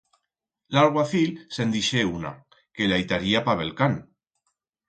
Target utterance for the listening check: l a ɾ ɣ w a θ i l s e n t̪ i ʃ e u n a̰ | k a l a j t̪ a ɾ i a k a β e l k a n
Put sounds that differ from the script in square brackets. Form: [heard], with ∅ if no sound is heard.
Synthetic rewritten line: l a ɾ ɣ w a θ i l s e n [d̪] i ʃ e u n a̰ | k [e] l a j t̪ a ɾ i a [p] a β e l k a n